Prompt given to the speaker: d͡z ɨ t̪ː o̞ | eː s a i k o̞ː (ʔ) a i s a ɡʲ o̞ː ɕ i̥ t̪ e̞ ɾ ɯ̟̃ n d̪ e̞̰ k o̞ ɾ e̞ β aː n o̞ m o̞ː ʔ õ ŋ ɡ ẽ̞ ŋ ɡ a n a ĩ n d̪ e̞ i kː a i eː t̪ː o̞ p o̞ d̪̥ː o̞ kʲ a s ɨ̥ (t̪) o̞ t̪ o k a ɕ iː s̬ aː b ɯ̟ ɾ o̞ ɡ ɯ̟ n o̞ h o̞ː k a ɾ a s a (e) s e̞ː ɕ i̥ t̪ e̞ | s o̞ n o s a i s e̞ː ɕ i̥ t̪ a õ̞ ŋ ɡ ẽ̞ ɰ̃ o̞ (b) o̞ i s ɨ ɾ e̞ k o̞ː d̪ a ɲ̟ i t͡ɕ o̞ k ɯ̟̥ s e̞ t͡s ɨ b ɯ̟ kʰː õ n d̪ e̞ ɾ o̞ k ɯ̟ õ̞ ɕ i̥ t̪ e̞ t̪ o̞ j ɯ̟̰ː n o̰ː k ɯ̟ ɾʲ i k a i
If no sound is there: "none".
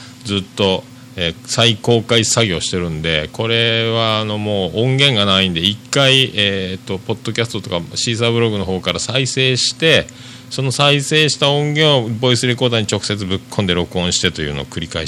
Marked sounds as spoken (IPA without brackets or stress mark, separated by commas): k, t̪, i, b